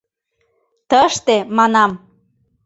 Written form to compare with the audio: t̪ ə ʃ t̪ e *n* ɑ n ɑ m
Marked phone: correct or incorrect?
incorrect: m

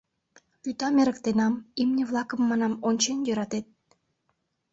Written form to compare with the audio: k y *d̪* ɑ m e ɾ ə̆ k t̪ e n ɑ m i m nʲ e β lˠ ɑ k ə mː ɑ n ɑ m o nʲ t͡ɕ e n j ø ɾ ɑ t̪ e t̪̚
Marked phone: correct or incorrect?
incorrect: t̪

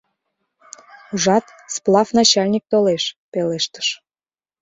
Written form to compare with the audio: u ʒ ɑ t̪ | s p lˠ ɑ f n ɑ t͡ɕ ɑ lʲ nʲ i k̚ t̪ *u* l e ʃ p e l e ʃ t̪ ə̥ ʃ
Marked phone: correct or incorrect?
incorrect: o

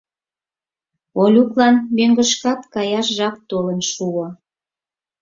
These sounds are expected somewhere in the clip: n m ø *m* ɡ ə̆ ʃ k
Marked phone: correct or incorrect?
incorrect: ŋ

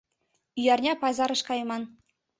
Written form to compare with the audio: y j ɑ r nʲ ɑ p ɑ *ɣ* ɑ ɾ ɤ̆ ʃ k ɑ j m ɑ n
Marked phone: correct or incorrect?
incorrect: z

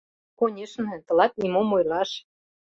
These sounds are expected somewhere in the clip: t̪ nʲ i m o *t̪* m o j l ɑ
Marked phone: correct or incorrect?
incorrect: none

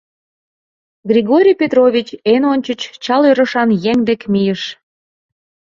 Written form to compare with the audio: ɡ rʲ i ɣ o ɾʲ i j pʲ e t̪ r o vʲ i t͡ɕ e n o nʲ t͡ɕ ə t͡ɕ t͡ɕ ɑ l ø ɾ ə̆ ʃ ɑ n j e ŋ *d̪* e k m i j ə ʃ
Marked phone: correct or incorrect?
correct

